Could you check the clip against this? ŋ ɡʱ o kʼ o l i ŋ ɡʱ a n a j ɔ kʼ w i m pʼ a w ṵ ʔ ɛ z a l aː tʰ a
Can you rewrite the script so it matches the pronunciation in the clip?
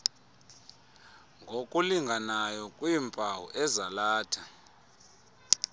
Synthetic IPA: ŋ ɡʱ o kʼ u l i ŋ ɡʱ a n a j ɔ kʼ w i m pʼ a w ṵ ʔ ɛ z a l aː tʰ a